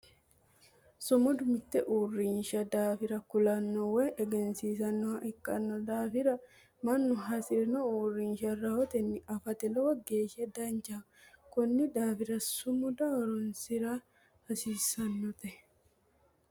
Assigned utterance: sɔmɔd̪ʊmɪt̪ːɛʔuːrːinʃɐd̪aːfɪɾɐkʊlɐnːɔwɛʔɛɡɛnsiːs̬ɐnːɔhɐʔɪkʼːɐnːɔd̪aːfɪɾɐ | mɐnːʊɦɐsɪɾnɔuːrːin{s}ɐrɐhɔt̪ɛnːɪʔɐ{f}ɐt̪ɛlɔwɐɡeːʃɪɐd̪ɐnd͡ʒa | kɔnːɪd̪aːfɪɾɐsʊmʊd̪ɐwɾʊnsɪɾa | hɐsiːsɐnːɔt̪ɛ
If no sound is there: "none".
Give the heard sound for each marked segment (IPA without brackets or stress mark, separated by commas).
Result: ʃ, f